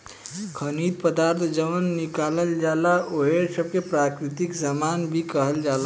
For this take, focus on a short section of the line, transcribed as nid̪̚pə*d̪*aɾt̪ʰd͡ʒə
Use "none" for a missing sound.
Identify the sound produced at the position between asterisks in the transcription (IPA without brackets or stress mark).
d̪